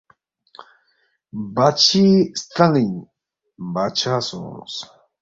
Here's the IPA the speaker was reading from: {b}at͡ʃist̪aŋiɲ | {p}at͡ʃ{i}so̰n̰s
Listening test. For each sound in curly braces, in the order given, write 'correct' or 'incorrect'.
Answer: correct, incorrect: b, incorrect: a

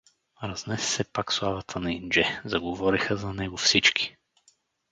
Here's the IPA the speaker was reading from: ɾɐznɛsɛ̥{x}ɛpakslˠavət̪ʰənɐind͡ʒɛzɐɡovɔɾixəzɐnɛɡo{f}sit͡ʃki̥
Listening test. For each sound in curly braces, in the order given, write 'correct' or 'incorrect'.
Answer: incorrect: s, correct

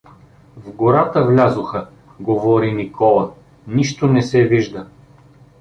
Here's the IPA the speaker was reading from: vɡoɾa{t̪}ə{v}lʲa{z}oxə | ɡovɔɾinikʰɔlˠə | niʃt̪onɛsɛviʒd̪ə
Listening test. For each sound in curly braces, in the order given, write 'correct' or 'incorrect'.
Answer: correct, correct, correct

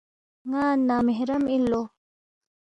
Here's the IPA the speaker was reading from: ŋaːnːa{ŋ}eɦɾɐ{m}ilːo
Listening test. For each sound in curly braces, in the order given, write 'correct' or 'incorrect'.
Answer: incorrect: m, correct

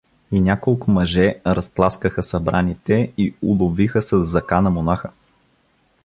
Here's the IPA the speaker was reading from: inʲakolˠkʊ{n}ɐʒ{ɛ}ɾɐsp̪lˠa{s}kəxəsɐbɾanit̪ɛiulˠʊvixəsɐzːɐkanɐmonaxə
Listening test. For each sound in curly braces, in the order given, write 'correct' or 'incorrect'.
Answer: incorrect: m, correct, correct

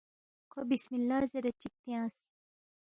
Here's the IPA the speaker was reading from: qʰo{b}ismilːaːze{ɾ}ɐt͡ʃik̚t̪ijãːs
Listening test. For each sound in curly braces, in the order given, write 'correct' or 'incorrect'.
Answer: correct, correct

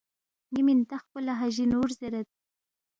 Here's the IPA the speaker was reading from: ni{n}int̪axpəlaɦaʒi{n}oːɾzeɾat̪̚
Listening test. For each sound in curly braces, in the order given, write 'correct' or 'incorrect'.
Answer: incorrect: m, correct

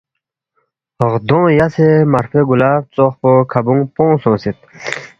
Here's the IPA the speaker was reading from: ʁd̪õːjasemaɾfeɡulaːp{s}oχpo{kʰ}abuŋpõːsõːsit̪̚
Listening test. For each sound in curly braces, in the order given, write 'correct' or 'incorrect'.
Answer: incorrect: t͡s, correct

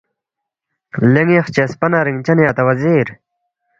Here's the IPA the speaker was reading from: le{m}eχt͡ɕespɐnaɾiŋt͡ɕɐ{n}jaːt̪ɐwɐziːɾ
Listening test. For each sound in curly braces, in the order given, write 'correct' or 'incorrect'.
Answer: incorrect: ŋ, correct

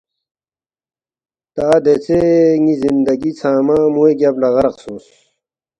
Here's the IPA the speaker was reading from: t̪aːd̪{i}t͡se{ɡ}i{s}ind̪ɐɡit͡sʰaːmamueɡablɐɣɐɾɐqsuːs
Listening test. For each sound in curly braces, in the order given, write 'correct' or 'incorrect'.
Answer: incorrect: e, incorrect: ŋ, incorrect: z

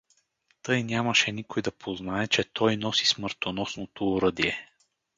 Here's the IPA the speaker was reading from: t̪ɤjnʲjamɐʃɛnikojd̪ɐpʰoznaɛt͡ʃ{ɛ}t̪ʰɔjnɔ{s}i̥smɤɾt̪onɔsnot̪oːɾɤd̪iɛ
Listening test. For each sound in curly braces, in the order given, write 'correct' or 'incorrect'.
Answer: correct, correct

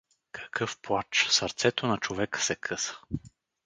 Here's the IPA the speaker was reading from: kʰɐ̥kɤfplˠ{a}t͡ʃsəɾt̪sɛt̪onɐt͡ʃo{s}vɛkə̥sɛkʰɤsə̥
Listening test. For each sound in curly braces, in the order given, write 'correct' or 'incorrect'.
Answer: correct, incorrect: none

